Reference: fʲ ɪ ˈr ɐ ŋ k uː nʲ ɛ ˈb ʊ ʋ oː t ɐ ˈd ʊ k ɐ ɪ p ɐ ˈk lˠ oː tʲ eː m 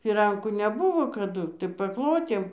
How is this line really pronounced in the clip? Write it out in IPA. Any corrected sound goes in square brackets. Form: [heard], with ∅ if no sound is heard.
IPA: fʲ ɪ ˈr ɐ ŋ k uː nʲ ɛ ˈb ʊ ʋ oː [k] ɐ ˈd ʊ [t] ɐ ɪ p ɐ ˈk lˠ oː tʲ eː m